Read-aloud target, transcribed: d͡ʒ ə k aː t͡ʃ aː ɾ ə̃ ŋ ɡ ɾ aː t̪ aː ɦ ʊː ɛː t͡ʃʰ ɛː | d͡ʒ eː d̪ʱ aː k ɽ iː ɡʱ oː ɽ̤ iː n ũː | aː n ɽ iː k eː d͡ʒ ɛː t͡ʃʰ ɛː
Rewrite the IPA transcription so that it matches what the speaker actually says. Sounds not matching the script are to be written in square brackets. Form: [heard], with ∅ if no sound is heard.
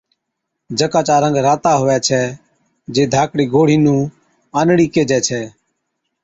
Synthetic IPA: d͡ʒ ə k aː t͡ʃ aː ɾ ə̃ ŋ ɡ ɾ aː t̪ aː ɦ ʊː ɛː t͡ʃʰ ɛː | d͡ʒ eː d̪ʱ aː k ɽ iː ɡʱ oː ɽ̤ iː n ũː | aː n ɽ iː k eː d͡ʒ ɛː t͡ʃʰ ɛː